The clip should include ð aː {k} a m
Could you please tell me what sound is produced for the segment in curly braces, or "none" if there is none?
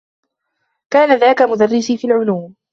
k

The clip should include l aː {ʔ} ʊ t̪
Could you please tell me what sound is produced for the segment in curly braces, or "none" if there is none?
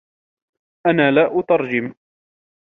ʔ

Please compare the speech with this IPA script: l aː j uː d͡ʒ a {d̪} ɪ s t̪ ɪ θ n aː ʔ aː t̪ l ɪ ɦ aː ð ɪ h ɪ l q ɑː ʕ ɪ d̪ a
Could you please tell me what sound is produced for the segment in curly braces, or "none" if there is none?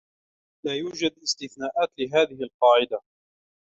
d̪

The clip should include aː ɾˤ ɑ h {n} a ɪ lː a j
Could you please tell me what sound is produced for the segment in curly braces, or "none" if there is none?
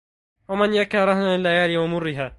n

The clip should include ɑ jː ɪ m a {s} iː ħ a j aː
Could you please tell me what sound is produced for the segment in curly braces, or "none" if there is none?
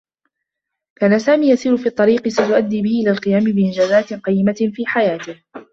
f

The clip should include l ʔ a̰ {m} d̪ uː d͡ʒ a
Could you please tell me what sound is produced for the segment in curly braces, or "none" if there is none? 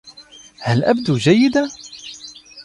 b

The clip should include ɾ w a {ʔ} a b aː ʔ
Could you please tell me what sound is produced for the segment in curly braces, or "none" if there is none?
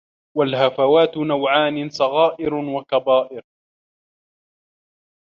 k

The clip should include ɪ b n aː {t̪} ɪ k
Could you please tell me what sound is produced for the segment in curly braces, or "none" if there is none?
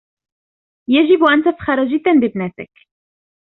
t̪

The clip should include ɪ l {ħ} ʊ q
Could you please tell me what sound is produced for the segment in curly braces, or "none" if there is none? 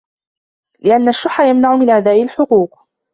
ħ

